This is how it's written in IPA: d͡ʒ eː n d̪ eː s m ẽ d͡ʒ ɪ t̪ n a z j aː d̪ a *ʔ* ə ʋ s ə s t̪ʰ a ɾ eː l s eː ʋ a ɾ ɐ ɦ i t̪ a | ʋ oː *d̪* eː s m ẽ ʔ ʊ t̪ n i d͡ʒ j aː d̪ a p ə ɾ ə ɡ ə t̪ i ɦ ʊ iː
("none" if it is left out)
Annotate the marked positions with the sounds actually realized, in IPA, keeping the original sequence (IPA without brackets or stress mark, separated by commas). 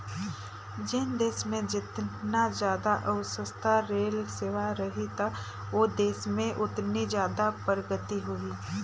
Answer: ʔ, d̪